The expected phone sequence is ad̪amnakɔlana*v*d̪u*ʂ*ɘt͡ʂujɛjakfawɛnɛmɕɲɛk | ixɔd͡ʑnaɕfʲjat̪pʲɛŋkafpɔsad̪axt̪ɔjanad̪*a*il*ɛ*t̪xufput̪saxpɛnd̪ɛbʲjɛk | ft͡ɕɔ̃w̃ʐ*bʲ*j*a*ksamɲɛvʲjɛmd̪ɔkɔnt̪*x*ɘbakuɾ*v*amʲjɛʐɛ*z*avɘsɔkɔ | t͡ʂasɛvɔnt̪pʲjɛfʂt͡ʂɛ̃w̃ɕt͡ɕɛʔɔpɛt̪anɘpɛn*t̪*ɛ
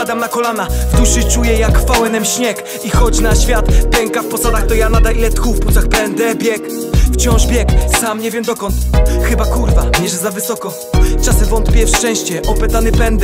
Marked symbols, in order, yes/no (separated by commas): yes, yes, yes, yes, yes, no, yes, yes, yes, no